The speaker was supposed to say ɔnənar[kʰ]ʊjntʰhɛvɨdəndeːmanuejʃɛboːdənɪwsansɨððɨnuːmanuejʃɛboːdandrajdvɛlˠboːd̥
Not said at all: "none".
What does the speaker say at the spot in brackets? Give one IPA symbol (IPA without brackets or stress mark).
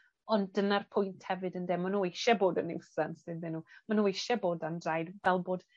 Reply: pʰ